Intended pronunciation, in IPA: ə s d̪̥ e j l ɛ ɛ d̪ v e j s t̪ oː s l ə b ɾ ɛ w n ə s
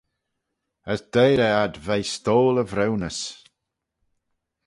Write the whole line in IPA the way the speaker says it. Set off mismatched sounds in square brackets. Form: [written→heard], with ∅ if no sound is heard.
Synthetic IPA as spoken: ə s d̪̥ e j [l→ɾ] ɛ [ɛ→a] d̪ v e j s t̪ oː [s→∅] l ə [b→v] ɾ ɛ w n ə s